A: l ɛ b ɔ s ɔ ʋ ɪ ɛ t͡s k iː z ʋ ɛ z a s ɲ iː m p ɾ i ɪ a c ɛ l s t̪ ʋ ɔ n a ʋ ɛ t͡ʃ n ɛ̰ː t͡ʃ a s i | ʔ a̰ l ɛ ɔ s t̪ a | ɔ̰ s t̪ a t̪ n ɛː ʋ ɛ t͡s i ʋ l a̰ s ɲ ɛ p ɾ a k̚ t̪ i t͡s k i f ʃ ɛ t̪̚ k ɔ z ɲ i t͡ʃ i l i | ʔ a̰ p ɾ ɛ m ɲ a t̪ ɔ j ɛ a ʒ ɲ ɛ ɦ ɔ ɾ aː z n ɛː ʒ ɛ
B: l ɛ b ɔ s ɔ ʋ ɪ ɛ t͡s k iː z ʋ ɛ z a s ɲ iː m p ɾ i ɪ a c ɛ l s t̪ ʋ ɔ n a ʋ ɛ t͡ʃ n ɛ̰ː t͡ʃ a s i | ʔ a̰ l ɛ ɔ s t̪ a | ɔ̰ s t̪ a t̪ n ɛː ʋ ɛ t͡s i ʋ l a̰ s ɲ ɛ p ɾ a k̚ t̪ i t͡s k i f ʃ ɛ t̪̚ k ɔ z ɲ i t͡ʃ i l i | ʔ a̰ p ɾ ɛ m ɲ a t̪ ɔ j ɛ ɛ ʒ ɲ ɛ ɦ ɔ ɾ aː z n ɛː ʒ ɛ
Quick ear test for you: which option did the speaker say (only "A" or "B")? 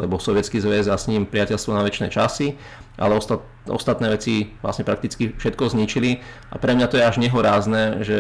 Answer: A